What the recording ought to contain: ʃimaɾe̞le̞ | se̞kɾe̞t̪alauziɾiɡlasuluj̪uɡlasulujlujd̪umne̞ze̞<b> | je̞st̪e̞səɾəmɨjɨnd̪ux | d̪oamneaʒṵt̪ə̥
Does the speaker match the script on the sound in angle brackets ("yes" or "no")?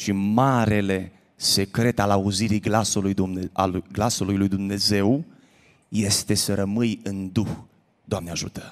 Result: no